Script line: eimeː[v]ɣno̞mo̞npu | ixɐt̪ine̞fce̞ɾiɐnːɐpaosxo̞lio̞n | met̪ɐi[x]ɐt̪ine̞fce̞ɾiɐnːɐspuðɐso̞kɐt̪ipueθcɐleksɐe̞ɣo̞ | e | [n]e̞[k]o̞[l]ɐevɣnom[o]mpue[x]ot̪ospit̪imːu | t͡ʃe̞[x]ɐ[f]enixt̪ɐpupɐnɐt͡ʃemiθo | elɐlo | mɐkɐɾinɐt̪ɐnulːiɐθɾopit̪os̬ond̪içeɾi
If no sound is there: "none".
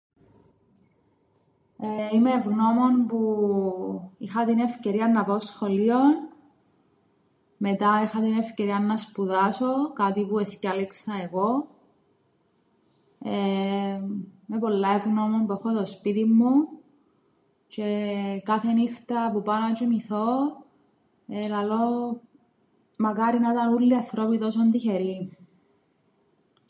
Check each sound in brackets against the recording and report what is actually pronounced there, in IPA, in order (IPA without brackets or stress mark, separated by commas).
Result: v, x, m, p, lː, o, x, k, θ